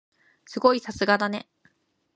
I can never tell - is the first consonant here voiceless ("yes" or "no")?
yes